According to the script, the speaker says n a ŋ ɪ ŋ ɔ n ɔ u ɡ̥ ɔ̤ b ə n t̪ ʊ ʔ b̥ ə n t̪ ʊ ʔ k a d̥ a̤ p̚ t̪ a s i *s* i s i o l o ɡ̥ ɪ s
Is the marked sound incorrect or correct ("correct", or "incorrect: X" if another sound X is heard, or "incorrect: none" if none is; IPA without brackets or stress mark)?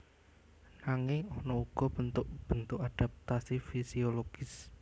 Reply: incorrect: f